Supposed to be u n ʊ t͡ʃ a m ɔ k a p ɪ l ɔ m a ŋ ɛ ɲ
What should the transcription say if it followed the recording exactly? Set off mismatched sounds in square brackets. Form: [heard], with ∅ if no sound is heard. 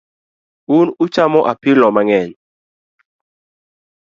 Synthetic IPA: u n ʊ t͡ʃ a m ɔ [ʔ] a p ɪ l ɔ m a ŋ ɛ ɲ